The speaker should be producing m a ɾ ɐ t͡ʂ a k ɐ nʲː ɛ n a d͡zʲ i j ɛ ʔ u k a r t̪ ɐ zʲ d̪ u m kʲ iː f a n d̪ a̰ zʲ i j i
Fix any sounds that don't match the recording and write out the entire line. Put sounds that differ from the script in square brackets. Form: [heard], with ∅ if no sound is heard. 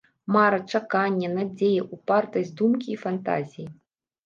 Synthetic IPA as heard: m a ɾ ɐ t͡ʂ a k [a] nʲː ɛ n a d͡zʲ [e] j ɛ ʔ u [p] a r t̪ ɐ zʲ d̪ u m kʲ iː f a n [t̪] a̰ zʲ i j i